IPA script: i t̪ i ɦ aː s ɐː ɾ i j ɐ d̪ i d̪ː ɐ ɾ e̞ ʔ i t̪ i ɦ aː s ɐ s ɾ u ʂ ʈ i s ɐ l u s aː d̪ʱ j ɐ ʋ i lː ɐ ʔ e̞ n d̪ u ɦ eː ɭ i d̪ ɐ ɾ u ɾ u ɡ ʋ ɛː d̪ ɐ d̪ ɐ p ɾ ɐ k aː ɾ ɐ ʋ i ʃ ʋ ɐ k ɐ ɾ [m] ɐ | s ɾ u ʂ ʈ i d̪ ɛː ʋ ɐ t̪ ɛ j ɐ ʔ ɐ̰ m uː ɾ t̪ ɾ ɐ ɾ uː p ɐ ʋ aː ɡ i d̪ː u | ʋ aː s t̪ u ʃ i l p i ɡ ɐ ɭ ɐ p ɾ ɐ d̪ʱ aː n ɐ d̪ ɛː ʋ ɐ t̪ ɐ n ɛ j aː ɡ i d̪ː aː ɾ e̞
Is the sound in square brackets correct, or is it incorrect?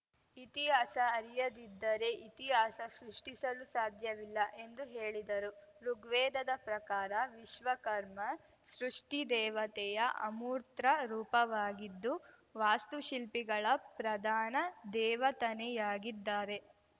correct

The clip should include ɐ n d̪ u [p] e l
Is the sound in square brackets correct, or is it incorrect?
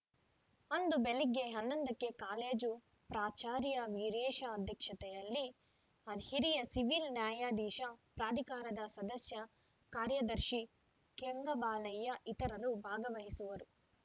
incorrect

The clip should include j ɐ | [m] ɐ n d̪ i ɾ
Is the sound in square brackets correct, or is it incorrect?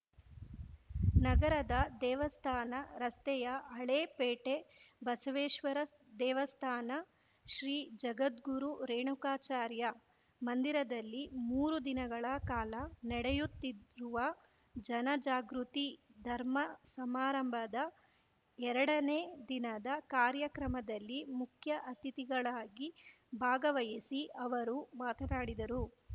correct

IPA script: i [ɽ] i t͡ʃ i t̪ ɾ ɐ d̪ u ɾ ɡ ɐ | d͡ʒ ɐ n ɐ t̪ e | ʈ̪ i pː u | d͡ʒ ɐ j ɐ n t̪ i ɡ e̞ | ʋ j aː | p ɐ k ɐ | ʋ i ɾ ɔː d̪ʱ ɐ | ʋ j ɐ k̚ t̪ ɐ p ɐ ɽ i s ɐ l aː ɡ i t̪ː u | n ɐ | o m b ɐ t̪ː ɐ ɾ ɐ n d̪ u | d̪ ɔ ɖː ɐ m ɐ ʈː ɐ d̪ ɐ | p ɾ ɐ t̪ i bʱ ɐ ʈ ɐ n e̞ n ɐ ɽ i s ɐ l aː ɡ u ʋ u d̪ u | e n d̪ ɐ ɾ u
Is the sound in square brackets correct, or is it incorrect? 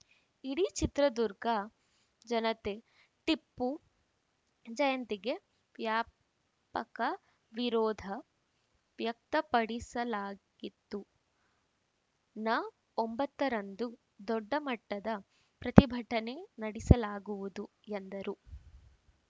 correct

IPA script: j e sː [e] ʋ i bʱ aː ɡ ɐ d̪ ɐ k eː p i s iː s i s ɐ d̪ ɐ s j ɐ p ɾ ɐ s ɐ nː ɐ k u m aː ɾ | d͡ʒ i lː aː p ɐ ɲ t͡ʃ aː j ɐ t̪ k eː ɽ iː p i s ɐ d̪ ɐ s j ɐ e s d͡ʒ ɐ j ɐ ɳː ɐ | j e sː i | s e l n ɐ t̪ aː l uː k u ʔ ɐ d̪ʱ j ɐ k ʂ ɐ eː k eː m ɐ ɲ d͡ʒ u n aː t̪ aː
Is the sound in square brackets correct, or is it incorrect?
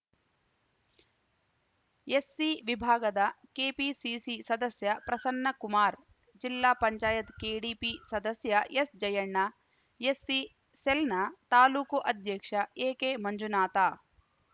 incorrect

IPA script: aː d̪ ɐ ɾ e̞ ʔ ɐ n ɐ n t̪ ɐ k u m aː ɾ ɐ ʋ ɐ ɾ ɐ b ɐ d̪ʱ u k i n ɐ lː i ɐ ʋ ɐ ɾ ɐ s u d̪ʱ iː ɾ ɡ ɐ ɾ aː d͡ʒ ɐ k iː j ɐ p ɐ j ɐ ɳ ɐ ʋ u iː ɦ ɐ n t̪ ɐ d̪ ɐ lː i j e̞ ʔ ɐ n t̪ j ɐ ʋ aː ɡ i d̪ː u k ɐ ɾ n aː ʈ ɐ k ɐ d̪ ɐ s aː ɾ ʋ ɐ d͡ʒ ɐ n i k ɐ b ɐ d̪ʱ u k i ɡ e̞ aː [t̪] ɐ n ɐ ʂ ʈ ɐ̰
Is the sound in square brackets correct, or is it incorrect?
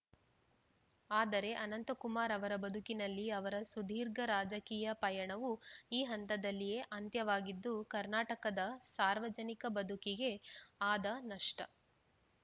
incorrect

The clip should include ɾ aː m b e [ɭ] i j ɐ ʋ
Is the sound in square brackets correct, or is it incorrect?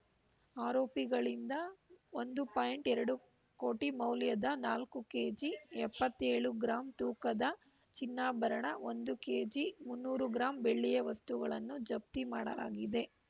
incorrect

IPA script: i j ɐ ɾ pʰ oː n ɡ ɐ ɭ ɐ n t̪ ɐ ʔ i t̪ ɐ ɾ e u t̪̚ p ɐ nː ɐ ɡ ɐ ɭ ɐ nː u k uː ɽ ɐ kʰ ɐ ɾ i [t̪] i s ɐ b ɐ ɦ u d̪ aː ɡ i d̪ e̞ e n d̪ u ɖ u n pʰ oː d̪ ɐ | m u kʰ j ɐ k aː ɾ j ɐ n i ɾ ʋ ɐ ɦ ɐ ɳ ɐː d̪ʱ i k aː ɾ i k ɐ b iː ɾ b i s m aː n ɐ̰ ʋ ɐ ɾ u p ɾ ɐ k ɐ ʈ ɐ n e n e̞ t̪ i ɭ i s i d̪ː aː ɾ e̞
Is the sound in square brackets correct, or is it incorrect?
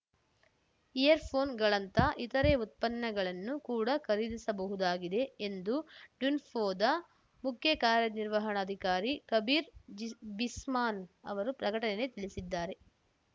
incorrect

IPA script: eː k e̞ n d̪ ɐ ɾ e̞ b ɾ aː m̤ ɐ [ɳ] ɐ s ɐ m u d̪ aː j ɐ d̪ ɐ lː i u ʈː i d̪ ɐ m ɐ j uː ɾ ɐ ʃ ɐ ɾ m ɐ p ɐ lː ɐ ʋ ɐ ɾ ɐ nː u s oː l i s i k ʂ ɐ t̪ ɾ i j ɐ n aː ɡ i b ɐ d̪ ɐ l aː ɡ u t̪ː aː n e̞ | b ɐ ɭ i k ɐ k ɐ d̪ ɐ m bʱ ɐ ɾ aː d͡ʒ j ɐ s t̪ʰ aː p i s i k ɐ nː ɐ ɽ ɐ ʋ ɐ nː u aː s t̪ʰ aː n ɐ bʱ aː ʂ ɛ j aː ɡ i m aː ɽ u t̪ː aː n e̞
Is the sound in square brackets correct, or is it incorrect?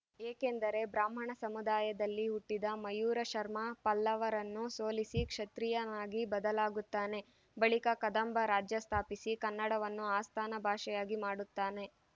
correct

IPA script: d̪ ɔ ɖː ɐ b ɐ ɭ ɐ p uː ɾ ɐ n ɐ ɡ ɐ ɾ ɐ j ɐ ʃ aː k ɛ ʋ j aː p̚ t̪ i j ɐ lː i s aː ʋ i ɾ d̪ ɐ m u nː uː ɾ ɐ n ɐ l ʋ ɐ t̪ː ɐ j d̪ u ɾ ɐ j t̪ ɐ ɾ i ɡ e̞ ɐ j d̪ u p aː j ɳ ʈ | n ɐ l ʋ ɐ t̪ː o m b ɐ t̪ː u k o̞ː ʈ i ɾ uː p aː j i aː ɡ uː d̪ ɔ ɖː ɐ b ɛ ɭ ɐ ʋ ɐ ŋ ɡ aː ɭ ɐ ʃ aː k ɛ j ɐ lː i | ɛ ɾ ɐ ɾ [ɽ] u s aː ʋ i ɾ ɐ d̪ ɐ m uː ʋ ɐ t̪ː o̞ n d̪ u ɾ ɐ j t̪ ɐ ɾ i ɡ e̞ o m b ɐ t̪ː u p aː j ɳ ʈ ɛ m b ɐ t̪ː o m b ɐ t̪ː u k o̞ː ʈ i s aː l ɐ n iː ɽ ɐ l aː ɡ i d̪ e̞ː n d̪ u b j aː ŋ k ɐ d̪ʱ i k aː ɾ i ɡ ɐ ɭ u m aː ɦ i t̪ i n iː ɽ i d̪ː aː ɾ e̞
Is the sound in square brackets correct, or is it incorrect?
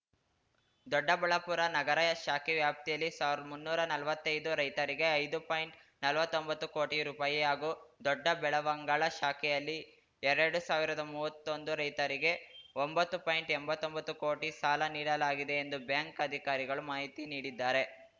correct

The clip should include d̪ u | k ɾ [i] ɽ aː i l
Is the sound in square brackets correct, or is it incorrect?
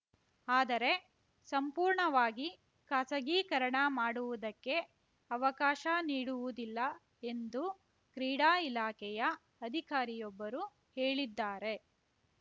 incorrect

